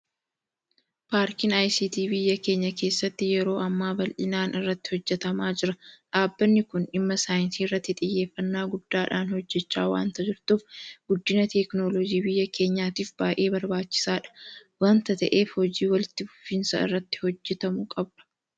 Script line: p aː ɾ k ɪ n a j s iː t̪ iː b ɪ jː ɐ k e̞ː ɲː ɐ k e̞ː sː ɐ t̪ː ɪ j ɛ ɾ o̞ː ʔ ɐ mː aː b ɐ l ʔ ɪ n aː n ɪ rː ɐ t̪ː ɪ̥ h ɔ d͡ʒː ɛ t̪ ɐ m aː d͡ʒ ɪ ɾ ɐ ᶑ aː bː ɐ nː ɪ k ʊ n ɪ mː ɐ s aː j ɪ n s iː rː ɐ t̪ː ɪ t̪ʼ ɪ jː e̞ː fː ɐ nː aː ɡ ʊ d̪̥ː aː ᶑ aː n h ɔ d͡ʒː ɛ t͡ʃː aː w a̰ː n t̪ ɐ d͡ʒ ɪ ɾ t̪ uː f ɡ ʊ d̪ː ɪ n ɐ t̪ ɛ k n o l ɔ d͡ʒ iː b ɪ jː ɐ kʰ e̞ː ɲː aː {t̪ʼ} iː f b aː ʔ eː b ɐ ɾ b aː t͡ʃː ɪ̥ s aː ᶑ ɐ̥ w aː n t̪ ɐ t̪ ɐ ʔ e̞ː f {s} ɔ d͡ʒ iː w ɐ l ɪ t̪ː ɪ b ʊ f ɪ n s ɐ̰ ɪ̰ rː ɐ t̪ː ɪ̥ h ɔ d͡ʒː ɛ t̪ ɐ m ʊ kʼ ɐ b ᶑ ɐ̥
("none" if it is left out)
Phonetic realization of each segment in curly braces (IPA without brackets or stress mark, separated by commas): t̪, h